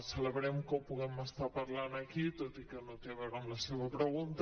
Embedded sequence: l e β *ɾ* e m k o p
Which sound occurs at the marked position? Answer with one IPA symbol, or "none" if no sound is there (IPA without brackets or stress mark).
ɾ